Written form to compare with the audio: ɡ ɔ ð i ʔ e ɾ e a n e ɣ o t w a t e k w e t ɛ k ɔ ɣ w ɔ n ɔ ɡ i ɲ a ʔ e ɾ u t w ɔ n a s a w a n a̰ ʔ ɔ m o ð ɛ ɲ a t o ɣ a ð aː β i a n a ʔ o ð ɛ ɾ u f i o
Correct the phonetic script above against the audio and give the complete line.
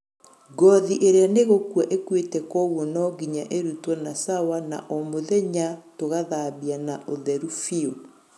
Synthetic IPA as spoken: ɡ ɔ ð i ʔ e ɾ e a n e ɣ o k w a ʔ e k w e t ɛ k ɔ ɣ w ɔ n ɔ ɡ i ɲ a ʔ e ɾ u t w ɔ n a s a w a n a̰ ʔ ɔ m o ð ɛ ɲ a t o ɣ a ð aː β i a n a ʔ o ð ɛ ɾ u f i o